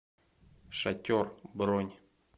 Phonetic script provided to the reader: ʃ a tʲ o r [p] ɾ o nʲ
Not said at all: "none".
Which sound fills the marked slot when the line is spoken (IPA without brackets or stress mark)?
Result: b